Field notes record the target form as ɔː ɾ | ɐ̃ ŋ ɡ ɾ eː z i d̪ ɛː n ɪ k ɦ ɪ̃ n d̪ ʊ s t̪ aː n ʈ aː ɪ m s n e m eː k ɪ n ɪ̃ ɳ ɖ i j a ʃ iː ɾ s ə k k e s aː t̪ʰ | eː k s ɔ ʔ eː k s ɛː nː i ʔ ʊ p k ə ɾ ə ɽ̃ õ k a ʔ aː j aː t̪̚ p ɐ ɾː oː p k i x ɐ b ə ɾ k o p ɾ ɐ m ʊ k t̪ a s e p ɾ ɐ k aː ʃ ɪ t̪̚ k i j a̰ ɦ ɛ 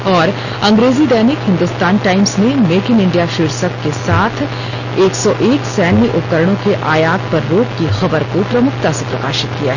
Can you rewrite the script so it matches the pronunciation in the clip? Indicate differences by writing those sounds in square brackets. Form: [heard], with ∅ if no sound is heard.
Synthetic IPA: ɔː ɾ | ɐ̃ ŋ ɡ ɾ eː z i d̪ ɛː n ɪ k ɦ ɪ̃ n d̪ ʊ s t̪ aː n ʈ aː ɪ m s n e m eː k ɪ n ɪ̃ ɳ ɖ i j a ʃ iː ɾ s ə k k e s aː t̪ʰ | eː k s ɔ ʔ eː k s ɛː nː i ʔ ʊ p k ə ɾ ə ɽ̃ õ k [e] ʔ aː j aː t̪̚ p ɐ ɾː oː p k i x ɐ b ə ɾ k o p ɾ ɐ m ʊ k t̪ a s e p ɾ ɐ k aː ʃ ɪ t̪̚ k i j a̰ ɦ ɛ